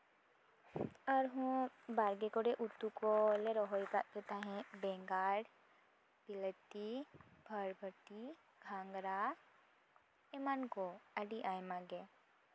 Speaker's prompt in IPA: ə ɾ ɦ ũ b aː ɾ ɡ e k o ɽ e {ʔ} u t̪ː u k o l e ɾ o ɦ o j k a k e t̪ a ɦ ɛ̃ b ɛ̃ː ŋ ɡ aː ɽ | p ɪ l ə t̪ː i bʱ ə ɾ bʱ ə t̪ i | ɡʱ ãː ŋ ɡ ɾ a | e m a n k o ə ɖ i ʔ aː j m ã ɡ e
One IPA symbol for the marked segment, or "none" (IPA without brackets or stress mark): ʔ